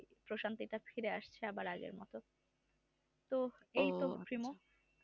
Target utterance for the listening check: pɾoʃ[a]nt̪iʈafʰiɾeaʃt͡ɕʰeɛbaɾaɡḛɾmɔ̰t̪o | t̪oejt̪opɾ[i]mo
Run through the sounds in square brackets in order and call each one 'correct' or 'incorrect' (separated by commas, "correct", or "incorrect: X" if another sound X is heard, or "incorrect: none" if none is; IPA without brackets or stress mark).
correct, correct